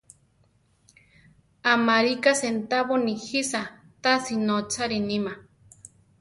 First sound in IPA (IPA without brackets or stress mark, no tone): a